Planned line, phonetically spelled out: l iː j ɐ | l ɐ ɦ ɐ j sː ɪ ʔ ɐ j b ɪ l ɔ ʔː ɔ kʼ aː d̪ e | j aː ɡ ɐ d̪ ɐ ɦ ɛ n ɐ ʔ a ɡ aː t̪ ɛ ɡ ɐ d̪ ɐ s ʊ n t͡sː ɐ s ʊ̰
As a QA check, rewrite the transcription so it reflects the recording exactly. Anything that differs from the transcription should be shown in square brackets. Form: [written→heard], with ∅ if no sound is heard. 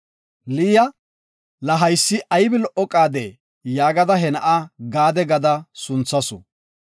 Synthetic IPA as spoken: l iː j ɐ | l ɐ ɦ ɐ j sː ɪ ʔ ɐ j b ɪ l ɔ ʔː ɔ kʼ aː d̪ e | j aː ɡ ɐ d̪ ɐ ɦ ɛ n ɐ ʔ a ɡ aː [t̪→d̪] ɛ ɡ ɐ d̪ ɐ s ʊ n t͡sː ɐ s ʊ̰